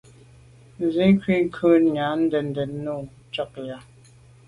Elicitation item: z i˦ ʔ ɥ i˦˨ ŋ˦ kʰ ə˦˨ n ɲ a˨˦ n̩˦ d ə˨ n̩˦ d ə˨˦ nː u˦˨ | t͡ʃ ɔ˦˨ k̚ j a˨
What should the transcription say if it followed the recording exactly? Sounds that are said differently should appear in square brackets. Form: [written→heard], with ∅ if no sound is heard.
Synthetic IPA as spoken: z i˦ [ʔ→k] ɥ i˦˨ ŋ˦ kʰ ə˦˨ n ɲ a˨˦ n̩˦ d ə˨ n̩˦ d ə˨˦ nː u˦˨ | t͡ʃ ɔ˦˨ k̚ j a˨